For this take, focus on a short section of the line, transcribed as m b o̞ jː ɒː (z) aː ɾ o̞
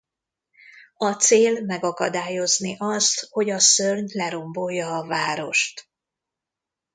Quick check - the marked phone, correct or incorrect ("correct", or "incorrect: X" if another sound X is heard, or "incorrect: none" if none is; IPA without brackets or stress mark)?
incorrect: v